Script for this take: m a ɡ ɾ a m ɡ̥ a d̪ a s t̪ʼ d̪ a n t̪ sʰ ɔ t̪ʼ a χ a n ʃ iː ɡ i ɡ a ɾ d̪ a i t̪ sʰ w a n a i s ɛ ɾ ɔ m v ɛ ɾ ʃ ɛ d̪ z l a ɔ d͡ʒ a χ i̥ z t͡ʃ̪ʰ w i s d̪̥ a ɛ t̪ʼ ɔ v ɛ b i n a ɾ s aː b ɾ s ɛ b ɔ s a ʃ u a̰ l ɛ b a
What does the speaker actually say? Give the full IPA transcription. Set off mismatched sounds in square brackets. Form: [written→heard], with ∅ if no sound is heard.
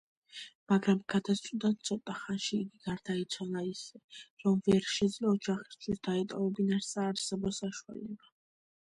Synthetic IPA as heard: m a ɡ ɾ a m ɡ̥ a d̪ a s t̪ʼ d̪ a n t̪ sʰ ɔ t̪ʼ a χ a n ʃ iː ɡ i ɡ a ɾ d̪ a i t̪ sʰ w a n a i s ɛ ɾ ɔ m v ɛ ɾ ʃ ɛ d̪ z l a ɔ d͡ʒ a χ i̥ [z→s] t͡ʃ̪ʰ w i s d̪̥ a ɛ t̪ʼ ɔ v ɛ b i n a ɾ s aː [b→∅] ɾ s ɛ b ɔ s a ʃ u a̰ l ɛ b a